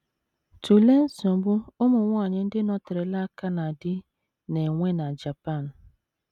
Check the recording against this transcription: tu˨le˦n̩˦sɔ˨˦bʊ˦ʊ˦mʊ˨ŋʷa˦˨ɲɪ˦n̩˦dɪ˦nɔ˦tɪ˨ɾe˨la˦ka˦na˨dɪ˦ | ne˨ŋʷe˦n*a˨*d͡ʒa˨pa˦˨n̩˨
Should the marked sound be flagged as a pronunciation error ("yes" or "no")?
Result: no